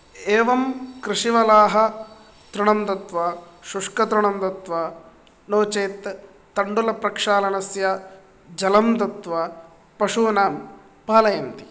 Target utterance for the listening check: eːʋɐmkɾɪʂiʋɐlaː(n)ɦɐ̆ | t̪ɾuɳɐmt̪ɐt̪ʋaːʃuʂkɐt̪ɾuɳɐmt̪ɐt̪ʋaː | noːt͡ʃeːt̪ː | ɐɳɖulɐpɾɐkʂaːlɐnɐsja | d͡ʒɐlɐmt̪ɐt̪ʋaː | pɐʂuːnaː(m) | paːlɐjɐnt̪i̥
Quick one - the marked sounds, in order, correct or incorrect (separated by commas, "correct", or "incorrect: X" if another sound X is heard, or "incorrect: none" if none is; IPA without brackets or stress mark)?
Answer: incorrect: none, correct